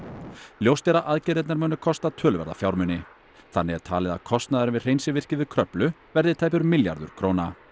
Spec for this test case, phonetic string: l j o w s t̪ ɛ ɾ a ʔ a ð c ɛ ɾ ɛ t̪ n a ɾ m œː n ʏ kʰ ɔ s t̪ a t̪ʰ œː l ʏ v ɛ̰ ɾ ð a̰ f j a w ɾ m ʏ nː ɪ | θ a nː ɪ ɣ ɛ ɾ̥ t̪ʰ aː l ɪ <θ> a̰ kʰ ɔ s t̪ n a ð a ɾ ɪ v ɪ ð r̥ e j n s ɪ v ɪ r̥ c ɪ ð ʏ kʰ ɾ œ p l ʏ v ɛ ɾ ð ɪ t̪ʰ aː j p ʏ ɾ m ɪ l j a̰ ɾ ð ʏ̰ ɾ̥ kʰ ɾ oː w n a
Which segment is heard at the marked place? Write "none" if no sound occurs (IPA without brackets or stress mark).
ð